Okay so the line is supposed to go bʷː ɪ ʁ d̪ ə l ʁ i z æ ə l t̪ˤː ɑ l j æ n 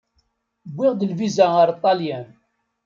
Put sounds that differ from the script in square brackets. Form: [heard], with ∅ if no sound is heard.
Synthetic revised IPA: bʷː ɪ ʁ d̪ ə l [v] i z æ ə [ɾ] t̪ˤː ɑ l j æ n